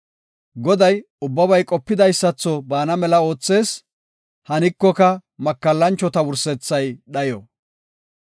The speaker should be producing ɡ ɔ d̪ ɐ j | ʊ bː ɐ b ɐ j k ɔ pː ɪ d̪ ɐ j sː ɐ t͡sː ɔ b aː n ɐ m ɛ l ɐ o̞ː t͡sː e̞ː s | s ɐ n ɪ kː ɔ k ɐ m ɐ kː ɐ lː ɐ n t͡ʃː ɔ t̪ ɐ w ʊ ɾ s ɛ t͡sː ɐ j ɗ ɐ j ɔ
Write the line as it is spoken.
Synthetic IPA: ɡ ɔ d̪ ɐ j | ʊ bː ɐ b ɐ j kʼ ɔ pː ɪ d̪ ɐ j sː ɐ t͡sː ɔ b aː n ɐ m ɛ l ɐ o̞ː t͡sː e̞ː s | h ɐ n ɪ kː ɔ k ɐ m ɐ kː ɐ lː ɐ n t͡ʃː ɔ t̪ ɐ w ʊ ɾ s ɛ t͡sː ɐ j ɗ ɐ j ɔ